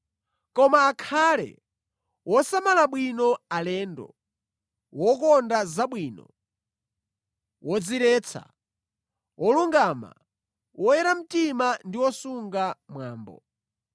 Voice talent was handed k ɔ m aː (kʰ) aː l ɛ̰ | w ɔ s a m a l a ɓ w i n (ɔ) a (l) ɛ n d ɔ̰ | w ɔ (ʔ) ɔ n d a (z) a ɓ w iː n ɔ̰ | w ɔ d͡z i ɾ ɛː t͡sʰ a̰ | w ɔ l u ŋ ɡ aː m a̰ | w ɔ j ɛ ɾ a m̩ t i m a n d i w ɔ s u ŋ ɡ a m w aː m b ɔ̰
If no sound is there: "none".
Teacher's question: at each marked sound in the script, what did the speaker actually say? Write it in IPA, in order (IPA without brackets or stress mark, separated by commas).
kʰ, ɔ, l, k, z